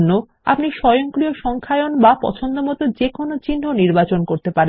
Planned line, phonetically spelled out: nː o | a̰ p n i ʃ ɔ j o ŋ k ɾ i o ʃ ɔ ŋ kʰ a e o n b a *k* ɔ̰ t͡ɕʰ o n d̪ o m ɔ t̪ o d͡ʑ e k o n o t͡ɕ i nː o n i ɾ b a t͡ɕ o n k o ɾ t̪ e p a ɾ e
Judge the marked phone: incorrect: p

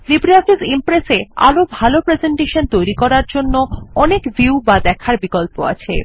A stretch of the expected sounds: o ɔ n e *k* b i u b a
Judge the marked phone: correct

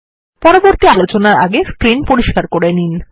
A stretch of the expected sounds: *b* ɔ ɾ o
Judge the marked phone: incorrect: p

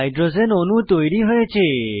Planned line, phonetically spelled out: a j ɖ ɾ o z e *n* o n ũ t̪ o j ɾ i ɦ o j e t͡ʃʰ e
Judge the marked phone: correct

